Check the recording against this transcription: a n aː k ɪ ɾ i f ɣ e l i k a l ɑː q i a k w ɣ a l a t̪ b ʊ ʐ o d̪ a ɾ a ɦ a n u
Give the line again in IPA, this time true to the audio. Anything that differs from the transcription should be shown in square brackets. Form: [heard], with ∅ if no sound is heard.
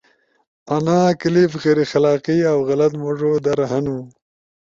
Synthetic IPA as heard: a n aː k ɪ [l] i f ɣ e [ɾ] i [x] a l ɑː q i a [∅] w ɣ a l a t̪ [m] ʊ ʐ o d̪ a ɾ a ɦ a n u